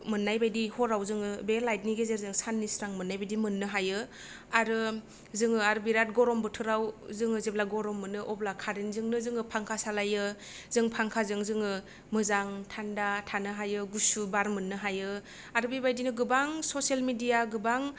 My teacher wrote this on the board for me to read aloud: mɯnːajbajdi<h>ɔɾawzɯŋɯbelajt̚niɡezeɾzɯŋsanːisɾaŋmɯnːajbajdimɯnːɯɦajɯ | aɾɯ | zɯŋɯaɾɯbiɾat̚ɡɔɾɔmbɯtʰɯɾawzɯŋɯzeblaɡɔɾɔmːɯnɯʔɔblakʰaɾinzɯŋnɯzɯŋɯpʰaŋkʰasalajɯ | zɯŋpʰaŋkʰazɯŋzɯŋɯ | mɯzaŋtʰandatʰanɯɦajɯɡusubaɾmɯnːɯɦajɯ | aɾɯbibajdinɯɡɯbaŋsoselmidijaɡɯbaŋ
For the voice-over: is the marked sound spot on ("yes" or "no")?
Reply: yes